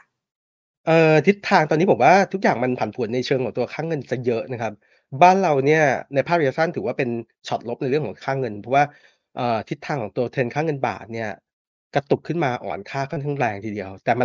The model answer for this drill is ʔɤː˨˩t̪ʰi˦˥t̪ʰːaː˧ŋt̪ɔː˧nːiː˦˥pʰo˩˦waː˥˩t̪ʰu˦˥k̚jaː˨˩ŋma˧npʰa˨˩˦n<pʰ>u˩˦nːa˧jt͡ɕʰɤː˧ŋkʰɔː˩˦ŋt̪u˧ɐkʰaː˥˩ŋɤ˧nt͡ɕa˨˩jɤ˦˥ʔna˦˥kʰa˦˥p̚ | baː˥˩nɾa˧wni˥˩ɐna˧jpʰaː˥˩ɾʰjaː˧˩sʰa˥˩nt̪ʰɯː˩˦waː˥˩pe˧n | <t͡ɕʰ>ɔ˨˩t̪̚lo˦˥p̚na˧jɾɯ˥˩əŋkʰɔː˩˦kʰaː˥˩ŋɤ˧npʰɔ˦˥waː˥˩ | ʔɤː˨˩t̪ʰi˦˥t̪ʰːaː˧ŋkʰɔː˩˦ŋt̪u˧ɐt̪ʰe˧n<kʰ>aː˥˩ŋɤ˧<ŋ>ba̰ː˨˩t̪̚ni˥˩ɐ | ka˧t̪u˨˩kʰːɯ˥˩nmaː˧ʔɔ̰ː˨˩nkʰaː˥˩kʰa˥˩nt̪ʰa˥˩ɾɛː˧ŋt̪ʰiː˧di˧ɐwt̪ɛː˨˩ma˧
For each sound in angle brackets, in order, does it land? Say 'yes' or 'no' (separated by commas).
yes, yes, yes, no